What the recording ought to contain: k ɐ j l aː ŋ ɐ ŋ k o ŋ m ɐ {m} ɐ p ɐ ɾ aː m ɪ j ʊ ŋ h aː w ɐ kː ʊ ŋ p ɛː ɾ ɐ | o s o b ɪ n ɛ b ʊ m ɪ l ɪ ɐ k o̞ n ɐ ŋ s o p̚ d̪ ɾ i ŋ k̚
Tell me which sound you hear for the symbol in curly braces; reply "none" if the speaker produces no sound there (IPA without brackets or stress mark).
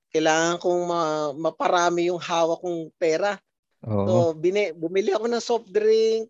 m